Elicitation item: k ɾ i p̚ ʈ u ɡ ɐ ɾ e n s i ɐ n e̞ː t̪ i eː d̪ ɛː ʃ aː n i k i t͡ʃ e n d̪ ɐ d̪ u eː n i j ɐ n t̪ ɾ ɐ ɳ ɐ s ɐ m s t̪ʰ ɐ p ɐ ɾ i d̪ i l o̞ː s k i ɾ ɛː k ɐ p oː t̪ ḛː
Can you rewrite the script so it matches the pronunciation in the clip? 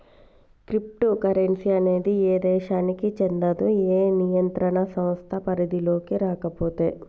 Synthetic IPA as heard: k ɾ i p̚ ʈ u k ɐ ɾ e n s i ɐ n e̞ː d̪ i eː d̪ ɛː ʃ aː n i k i t͡ʃ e n d̪ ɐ d̪ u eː n i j ɐ n t̪ ɾ ɐ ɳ ɐ s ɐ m s t̪ʰ ɐ p ɐ ɾ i d̪ i l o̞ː k i ɾ aː k ɐ p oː t̪ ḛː